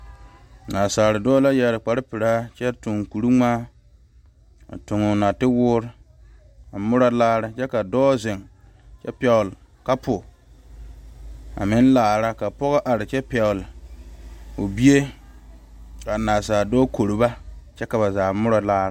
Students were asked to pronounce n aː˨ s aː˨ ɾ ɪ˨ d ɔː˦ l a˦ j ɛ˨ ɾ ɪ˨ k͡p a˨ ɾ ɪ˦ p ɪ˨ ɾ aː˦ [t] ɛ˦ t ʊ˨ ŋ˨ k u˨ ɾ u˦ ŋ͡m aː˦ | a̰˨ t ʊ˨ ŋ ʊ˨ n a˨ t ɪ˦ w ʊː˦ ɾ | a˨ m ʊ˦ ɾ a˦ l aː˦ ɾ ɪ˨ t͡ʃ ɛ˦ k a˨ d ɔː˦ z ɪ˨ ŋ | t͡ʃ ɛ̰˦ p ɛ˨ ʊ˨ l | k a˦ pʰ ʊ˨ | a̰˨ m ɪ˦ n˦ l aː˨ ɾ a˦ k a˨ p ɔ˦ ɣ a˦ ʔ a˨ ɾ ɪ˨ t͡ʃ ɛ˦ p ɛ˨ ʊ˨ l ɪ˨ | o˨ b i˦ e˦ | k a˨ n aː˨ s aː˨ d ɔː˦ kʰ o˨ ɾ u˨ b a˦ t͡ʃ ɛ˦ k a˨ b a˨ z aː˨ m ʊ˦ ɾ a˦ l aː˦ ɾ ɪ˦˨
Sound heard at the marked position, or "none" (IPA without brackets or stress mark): t͡ʃ